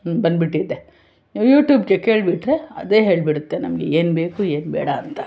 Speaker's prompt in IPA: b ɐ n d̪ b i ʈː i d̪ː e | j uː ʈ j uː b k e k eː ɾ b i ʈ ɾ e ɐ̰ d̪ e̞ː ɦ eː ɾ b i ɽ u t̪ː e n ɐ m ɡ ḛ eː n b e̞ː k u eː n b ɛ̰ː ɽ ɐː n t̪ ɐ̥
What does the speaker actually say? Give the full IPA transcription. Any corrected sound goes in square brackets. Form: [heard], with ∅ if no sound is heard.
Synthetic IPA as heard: b ɐ n d̪ b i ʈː i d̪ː e | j uː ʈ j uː b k e k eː [ɭ] b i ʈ ɾ e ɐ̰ d̪ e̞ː ɦ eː [ɭ] b i ɽ u t̪ː e n ɐ m ɡ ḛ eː n b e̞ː k u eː n b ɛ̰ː ɽ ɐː n t̪ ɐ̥